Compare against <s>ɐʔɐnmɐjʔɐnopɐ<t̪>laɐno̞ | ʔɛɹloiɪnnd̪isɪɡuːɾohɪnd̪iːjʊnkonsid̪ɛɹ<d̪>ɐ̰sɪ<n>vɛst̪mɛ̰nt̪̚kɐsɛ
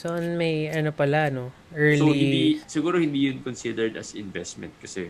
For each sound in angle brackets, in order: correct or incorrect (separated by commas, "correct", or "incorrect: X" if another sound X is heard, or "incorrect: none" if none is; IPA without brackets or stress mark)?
correct, incorrect: none, correct, correct